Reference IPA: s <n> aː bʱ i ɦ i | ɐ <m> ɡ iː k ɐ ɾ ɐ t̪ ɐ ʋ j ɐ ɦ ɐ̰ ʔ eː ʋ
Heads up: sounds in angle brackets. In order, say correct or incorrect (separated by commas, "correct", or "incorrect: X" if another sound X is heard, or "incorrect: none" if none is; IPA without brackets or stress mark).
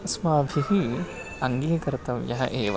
incorrect: m, incorrect: ŋ